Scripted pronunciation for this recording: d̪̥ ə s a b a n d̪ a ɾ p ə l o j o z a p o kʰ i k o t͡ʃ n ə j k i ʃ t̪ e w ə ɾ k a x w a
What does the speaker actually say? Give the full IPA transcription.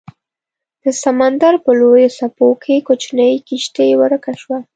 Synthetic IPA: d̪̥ ə s a m a n d̪ a ɾ p ə l o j o s a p o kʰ e k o t͡ʃ n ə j k i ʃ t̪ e w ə ɾ k a ʃ w a